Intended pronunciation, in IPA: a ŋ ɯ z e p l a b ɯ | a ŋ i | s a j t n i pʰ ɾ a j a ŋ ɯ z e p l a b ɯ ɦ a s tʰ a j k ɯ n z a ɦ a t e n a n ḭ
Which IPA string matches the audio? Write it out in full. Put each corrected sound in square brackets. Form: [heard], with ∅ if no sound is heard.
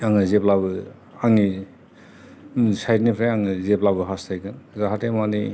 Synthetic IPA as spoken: a ŋ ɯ z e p l a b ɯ | a ŋ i | s a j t n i pʰ ɾ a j a ŋ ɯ z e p l a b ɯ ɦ a s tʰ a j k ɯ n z a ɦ a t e [m] a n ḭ